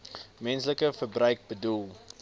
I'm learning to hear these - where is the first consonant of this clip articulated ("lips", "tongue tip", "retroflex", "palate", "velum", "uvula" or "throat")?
lips